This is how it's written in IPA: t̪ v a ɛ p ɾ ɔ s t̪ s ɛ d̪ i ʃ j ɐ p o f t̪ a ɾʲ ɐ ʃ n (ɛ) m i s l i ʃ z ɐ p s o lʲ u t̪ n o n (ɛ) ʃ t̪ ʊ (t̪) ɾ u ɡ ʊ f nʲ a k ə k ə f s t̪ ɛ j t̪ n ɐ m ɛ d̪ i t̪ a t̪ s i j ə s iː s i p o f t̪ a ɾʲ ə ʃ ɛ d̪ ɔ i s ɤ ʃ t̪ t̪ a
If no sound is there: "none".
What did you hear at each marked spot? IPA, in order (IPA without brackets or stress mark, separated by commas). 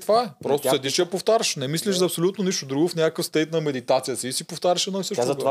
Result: ɛ, i, d̪